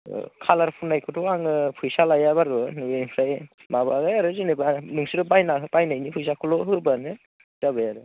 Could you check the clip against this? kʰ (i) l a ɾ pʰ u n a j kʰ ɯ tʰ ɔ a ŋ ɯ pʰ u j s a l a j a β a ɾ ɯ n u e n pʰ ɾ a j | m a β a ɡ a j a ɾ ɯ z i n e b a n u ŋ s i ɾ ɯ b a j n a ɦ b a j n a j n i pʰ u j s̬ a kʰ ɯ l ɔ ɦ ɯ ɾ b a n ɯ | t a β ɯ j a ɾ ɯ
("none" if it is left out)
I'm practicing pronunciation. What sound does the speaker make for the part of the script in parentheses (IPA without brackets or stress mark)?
a